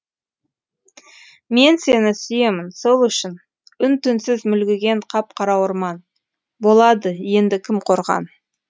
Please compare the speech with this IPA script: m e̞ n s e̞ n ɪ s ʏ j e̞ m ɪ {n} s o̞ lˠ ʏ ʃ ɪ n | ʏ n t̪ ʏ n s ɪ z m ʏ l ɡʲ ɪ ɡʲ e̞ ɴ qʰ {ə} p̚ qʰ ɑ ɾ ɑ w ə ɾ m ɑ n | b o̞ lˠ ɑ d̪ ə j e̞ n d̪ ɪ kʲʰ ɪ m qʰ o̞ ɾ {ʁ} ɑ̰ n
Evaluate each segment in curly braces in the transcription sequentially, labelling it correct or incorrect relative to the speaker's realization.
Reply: correct, incorrect: ɑ, correct

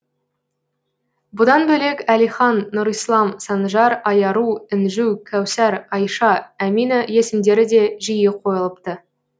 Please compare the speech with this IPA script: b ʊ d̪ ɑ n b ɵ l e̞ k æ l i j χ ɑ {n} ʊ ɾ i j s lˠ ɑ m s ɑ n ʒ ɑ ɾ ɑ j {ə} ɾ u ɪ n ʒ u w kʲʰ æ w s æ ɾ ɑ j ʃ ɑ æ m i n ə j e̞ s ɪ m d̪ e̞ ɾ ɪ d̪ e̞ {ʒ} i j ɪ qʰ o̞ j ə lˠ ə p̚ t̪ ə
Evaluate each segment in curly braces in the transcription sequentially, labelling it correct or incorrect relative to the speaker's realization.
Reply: incorrect: nː, incorrect: ɑ, correct

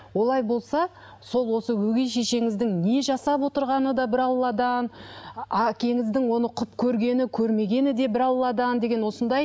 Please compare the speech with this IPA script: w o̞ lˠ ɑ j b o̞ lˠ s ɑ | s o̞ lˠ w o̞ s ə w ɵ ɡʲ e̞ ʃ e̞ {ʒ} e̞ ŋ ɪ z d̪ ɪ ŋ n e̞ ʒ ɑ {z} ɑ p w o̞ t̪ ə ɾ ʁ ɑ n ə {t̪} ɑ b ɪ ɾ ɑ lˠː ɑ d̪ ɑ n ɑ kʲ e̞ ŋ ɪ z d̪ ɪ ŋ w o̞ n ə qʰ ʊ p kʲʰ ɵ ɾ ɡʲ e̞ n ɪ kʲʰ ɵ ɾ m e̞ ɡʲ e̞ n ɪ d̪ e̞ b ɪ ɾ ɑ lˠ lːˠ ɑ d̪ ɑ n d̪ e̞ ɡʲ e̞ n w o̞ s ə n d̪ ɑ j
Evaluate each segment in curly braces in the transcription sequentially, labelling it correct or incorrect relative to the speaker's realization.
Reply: incorrect: ʃ, incorrect: s, incorrect: d̪

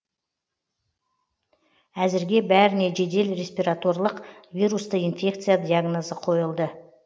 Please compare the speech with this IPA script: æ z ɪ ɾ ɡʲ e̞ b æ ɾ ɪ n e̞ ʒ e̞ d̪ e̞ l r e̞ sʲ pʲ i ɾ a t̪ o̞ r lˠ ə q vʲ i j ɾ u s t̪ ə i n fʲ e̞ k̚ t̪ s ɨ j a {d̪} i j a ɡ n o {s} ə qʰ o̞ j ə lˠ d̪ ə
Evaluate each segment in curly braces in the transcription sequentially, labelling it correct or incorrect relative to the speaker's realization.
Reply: correct, incorrect: z

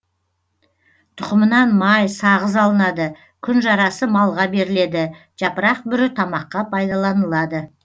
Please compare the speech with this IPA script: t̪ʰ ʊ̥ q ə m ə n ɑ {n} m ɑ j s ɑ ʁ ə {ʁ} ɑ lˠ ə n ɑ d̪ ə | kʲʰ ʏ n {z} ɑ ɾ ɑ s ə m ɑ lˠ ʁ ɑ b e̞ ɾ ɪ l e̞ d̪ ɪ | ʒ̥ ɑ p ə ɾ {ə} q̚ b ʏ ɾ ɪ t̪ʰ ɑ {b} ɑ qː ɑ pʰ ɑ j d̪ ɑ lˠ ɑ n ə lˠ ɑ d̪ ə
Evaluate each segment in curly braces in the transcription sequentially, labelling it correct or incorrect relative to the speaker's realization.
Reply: correct, incorrect: z, incorrect: ʒ, incorrect: ɑ, incorrect: m

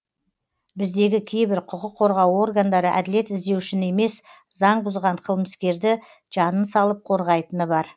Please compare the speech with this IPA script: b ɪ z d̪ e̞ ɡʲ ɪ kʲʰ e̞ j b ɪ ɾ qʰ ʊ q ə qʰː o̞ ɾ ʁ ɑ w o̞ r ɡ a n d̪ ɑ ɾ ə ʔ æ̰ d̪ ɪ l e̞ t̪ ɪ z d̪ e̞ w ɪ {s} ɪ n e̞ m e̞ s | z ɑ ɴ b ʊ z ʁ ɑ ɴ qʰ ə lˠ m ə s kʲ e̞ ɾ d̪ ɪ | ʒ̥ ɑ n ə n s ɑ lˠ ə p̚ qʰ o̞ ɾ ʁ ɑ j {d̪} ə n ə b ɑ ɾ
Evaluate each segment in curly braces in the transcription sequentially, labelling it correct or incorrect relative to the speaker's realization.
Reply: incorrect: ʃ, incorrect: t̪

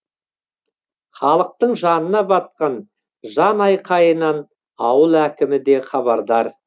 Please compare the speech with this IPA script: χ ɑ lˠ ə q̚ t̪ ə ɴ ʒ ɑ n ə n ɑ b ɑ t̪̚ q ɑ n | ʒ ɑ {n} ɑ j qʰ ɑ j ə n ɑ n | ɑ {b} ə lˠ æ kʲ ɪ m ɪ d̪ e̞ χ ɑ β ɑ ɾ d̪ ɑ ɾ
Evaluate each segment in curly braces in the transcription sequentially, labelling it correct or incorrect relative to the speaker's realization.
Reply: correct, incorrect: w

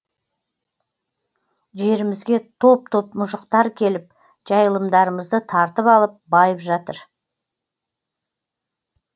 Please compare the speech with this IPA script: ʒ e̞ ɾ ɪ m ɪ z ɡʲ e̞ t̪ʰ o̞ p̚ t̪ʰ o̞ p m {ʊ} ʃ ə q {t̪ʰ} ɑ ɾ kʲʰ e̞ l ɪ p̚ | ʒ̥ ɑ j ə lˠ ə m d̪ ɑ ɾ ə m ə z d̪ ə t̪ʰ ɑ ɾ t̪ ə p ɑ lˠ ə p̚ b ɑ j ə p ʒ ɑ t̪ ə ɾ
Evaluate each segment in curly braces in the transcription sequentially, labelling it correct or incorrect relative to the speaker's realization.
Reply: correct, incorrect: t̪

